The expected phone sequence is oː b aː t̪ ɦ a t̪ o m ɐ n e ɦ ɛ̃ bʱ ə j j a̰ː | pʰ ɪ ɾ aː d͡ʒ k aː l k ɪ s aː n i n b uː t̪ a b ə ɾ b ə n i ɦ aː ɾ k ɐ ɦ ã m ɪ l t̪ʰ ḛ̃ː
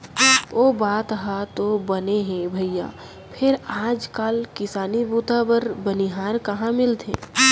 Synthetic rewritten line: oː b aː t̪ ɦ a t̪ o b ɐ n e ɦ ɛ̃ bʱ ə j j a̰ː | pʰ ɪ ɾ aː d͡ʒ k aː l k ɪ s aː n i b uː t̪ a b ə ɾ b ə n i ɦ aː ɾ k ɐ ɦ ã m ɪ l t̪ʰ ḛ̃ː

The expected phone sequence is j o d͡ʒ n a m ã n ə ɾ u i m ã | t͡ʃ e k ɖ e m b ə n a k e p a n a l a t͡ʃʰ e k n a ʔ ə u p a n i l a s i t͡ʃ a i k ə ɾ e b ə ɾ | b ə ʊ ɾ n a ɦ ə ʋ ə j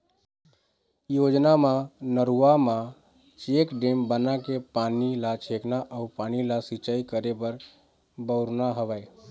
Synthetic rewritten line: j o d͡ʒ n a m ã n ə ɾ u a m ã | t͡ʃ e k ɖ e m b ə n a k e p a n i l a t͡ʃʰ e k n a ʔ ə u p a n i l a s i t͡ʃ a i k ə ɾ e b ə ɾ | b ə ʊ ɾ n a ɦ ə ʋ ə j

